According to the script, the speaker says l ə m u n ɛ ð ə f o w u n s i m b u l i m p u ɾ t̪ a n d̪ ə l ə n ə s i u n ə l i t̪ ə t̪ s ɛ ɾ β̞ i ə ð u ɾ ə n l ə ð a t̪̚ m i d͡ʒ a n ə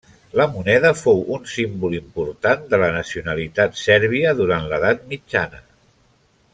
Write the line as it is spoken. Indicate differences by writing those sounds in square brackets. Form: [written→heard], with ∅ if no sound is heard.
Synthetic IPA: l ə m u n ɛ ð ə f o w u n s i m b u l i m p u ɾ t̪ a n d̪ ə l ə n ə s i u n ə l i t̪ [ə→a] t̪ s ɛ ɾ β̞ i ə ð u ɾ [ə→a] n l ə ð a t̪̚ m i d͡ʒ a n ə